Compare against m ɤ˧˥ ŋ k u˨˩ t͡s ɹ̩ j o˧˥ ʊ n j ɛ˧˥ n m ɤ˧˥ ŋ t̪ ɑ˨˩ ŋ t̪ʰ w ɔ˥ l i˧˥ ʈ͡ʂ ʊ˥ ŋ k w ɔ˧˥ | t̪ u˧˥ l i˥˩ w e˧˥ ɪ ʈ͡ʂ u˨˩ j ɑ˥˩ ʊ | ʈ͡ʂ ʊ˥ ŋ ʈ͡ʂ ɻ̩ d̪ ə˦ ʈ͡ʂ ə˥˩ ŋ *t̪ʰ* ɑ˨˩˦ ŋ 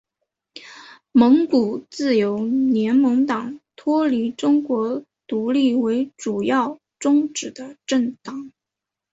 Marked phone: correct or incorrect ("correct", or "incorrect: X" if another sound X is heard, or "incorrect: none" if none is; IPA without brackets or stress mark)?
incorrect: t̪